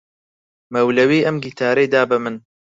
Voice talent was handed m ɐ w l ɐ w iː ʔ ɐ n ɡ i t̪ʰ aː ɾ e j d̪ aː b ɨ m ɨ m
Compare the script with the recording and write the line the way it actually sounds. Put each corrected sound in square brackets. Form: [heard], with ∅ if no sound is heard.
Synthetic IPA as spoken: m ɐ w l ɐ w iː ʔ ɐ [m] ɡ i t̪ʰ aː ɾ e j d̪ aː b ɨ m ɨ [n]